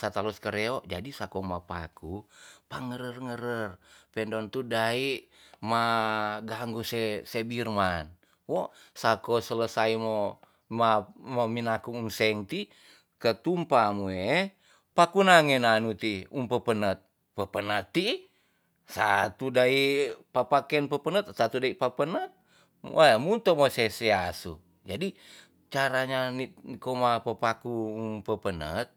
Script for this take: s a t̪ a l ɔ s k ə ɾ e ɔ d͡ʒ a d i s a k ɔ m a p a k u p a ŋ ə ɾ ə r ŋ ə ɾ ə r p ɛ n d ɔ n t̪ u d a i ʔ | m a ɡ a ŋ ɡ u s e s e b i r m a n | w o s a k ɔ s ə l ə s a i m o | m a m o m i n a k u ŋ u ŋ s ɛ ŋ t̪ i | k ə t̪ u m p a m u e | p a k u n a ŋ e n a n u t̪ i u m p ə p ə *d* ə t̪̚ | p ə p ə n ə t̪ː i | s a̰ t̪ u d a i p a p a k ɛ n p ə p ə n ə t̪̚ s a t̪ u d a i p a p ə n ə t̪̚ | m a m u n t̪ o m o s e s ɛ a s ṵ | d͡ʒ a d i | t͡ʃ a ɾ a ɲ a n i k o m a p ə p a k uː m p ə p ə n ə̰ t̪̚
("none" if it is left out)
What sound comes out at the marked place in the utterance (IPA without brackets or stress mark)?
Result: n